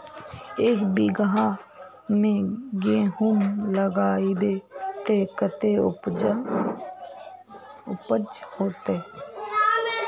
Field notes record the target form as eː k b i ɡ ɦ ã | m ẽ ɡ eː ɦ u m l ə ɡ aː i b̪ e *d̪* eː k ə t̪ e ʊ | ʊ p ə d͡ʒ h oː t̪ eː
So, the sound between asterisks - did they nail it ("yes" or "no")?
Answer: no